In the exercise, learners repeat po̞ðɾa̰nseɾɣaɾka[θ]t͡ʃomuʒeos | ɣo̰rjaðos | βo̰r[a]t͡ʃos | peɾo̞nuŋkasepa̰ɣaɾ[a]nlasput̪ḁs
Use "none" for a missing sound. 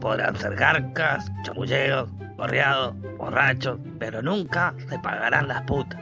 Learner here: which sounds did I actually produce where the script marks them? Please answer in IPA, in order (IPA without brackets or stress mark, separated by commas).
s, a, a